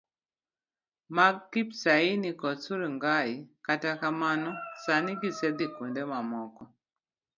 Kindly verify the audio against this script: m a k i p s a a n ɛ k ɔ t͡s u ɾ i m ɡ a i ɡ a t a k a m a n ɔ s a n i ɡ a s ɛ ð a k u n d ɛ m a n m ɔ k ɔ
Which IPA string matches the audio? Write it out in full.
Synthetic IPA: m a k i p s a i n i k ɔ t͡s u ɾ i ŋ ɡ a i k a t a k a m a n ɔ s a n i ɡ i s ɛ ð i k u n d ɛ m a m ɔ k ɔ